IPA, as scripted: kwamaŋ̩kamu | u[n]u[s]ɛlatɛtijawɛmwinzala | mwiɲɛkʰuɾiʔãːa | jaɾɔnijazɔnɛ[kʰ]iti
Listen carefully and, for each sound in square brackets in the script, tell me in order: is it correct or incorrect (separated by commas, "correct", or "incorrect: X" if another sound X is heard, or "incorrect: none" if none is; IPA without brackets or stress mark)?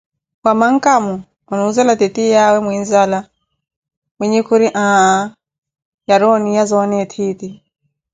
correct, incorrect: z, incorrect: tʰ